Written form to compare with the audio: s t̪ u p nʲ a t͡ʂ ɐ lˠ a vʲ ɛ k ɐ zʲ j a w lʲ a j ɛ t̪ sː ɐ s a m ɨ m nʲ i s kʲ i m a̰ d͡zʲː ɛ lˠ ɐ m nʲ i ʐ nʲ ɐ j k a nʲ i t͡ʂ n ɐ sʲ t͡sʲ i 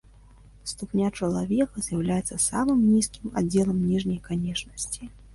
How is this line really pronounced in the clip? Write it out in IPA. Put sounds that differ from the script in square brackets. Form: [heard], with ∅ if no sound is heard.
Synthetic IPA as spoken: s t̪ u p nʲ a t͡ʂ ɐ lˠ a vʲ ɛ k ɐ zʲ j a w lʲ a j ɛ t̪ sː ɐ s a m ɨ m nʲ i s kʲ i m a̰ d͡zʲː ɛ lˠ ɐ m nʲ i ʐ nʲ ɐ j k a nʲ [ɛ] t͡ʂ n ɐ sʲ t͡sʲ i